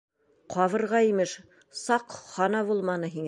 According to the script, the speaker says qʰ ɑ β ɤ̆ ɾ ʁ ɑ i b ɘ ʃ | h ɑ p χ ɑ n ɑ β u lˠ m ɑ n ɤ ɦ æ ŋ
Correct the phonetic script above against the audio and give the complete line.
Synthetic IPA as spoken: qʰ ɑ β ɤ̆ ɾ ʁ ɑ i m ɘ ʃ | s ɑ q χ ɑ n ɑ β u lˠ m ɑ n ɤ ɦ i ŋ

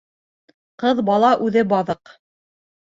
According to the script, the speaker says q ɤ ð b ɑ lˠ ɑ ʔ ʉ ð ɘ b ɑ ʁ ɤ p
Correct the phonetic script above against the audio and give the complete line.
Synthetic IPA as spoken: q ɤ ð b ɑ lˠ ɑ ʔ ʉ ð ɘ b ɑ ð ɤ q

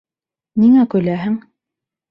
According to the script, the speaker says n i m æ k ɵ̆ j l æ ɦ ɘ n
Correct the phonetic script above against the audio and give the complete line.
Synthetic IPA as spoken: n i ŋ æ k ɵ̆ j l æ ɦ ɘ ŋ

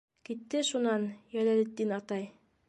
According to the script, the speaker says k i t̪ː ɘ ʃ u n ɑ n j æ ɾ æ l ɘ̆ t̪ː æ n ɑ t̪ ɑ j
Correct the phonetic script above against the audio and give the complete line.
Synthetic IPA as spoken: k i t̪ː ɘ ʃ u n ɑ n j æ l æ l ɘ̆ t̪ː i n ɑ t̪ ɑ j

